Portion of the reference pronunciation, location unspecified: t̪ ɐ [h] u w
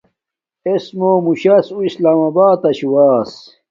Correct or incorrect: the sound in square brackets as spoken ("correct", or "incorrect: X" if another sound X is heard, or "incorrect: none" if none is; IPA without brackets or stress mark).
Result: incorrect: ɕ